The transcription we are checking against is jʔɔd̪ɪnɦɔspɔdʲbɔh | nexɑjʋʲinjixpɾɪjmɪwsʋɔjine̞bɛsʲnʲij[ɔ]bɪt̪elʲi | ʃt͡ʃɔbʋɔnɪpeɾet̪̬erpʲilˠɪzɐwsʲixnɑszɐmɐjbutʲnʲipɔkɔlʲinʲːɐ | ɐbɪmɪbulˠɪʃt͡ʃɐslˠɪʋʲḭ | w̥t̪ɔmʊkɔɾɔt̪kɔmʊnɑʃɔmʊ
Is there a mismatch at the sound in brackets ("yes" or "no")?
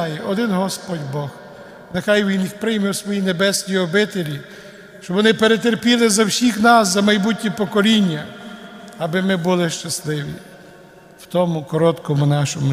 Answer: no